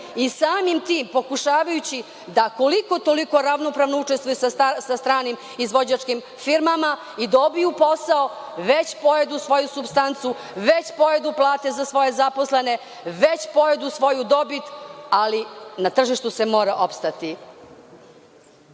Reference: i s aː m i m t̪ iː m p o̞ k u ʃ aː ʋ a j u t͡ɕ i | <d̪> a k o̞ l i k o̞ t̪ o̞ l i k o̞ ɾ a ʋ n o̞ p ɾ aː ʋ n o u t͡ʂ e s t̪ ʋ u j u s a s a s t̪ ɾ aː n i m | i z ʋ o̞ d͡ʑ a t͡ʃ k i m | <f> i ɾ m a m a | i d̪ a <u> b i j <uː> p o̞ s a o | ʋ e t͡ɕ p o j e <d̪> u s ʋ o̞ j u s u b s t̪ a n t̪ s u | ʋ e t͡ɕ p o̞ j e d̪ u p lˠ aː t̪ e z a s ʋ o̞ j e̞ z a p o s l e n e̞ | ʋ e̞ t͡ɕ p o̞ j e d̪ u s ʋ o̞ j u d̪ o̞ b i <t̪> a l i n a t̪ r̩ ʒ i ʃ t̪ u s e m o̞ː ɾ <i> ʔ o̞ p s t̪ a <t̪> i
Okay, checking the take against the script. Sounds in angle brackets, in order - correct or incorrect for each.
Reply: correct, correct, incorrect, incorrect, correct, correct, incorrect, correct

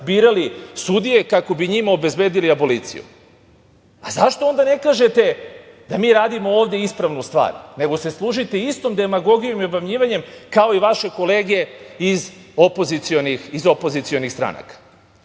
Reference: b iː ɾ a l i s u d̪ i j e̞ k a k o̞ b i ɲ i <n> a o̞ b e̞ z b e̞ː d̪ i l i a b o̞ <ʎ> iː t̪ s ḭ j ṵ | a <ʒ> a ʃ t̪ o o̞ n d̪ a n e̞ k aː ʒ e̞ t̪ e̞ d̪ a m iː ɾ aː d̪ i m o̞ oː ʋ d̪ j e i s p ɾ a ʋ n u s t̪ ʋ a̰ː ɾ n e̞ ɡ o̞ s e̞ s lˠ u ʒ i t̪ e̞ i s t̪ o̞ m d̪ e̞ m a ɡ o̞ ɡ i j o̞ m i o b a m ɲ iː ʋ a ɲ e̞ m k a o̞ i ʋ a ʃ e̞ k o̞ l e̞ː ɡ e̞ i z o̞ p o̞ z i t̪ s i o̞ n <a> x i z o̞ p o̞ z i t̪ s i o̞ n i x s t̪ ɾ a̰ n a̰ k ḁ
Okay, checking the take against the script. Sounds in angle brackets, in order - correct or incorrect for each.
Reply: incorrect, incorrect, incorrect, incorrect

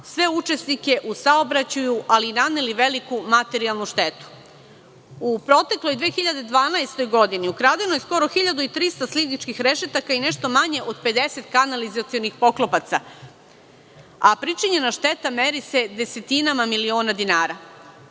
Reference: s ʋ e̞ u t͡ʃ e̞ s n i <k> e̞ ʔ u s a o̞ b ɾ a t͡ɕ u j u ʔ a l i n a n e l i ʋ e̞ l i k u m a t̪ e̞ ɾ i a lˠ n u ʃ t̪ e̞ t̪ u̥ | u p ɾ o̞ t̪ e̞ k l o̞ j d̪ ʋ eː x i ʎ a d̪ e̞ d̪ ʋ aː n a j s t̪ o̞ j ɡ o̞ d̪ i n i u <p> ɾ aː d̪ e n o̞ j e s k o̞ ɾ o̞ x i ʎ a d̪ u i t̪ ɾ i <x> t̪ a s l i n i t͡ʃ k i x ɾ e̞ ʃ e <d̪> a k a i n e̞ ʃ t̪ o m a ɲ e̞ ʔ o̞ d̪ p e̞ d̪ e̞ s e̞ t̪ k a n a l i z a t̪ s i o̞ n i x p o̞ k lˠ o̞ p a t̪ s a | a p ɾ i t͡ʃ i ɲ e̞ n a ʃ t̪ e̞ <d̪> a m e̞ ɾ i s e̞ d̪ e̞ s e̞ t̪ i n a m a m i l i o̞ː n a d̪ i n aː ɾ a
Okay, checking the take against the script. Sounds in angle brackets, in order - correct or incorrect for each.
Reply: correct, incorrect, incorrect, incorrect, incorrect

